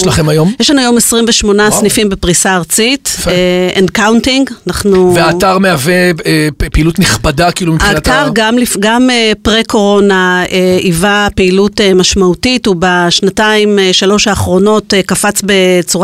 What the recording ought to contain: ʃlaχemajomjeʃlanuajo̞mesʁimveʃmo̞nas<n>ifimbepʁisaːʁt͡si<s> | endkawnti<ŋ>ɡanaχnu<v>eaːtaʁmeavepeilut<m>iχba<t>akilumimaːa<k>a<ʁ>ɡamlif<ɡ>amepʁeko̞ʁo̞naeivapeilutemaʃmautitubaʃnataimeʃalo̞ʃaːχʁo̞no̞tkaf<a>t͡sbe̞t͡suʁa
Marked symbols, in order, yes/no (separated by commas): yes, no, yes, yes, no, no, no, yes, yes, yes